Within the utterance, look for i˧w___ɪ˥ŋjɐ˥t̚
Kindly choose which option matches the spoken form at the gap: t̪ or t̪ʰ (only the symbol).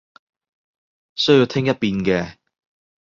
t̪ʰ